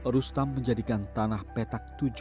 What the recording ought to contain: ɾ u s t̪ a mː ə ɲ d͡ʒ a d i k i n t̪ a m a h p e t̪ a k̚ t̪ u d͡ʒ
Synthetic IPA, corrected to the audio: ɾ u s t̪ a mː ə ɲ d͡ʒ a d i k a n t̪ a n a h p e t̪ a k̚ t̪ u d͡ʒ